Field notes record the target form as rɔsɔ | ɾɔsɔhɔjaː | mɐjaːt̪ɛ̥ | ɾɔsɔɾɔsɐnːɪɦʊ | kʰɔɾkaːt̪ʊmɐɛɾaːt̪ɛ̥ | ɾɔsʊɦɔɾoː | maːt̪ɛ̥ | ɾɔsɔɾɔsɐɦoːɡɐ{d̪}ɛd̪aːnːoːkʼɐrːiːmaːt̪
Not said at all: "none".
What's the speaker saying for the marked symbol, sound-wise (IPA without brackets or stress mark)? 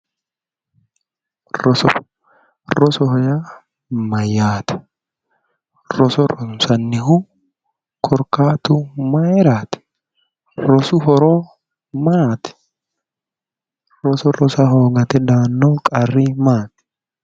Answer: t̪